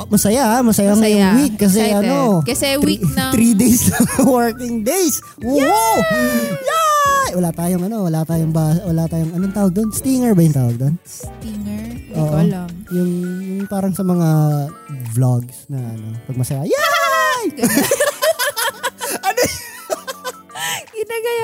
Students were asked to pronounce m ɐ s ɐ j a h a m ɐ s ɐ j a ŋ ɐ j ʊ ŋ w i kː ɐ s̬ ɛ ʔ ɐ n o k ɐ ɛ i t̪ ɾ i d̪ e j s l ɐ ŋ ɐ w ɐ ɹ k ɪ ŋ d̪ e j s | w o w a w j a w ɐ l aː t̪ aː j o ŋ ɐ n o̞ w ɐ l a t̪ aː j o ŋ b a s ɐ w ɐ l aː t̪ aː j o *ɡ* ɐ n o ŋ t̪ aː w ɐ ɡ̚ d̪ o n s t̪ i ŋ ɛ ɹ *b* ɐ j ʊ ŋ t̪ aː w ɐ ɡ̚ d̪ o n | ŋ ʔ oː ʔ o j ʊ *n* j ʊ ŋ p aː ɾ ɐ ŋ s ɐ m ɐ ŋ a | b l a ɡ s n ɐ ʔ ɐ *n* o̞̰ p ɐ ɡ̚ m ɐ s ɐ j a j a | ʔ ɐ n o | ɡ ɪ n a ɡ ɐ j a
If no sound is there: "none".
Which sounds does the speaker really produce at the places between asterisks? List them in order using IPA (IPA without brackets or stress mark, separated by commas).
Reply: ŋ, b, ŋ, n